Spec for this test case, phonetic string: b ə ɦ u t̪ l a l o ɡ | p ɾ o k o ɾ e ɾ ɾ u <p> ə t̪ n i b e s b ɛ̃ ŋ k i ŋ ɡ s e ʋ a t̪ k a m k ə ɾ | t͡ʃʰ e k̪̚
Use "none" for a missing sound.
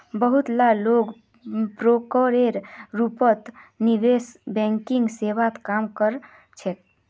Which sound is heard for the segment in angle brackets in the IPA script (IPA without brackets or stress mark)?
p